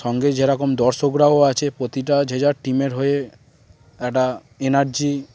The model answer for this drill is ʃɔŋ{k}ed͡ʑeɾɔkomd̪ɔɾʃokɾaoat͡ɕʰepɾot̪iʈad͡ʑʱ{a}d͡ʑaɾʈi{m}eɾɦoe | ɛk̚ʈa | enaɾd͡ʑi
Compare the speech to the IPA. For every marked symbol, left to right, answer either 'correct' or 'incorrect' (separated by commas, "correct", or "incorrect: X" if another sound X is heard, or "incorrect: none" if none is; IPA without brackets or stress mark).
incorrect: ɡ, incorrect: e, correct